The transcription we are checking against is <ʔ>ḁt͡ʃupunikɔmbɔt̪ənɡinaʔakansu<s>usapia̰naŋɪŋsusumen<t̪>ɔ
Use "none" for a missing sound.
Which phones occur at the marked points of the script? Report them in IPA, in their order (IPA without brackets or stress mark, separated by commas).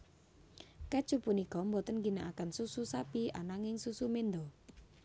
k, s, d̪